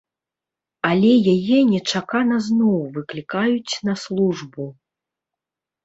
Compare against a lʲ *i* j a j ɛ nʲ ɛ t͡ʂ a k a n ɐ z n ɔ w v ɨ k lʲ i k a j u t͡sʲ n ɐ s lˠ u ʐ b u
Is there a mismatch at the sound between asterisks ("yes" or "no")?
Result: yes